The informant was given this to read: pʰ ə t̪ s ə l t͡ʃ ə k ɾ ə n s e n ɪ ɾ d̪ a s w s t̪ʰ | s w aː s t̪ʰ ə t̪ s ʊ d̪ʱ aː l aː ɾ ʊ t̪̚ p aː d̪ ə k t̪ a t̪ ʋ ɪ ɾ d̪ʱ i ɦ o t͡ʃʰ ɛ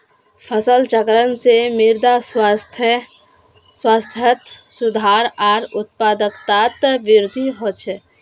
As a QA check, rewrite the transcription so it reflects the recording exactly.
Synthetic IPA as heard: pʰ ə s ə l t͡ʃ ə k ɾ ə n s e m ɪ ɾ d̪ a s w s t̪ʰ | s w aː s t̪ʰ ə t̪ s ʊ d̪ʱ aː ɾ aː ɾ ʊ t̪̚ p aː d̪ ə k t̪ a t̪ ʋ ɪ ɾ d̪ʱ i ɦ o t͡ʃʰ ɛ